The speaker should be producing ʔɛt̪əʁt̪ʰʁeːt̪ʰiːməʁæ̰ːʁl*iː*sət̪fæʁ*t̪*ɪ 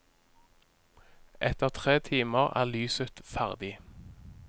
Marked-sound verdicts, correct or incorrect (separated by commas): incorrect, incorrect